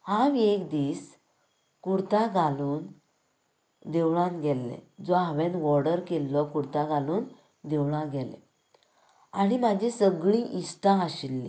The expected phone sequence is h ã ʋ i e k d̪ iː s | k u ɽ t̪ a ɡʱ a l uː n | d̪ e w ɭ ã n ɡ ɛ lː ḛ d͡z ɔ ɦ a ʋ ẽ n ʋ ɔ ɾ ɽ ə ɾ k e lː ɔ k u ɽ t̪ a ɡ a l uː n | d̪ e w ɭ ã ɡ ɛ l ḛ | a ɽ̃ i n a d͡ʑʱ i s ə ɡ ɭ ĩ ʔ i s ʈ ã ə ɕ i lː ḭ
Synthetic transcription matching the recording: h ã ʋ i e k d̪ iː s | k u ɽ t̪ a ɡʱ a l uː n | d̪ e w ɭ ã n ɡ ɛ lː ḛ d͡z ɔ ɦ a ʋ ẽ n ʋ ɔ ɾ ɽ ə ɾ k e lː ɔ k u ɽ t̪ a ɡ a l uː n | d̪ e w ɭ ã ɡ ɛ l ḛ | a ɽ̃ i m a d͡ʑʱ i s ə ɡ ɭ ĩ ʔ i s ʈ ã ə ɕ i lː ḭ

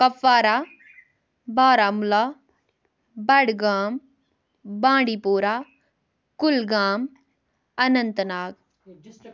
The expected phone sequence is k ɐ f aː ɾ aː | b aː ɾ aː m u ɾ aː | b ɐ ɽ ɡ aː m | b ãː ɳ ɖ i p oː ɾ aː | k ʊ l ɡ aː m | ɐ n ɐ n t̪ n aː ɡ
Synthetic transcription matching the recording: k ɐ f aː ɾ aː | b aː ɾ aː m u l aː | b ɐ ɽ ɡ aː m | b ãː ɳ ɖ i p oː ɾ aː | k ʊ l ɡ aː m | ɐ n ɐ n t̪ n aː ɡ

